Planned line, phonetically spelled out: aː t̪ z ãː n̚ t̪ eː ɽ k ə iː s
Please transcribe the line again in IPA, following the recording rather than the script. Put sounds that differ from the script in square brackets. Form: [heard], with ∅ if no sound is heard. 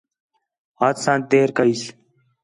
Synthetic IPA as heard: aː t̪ [s] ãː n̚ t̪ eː [ɾ] k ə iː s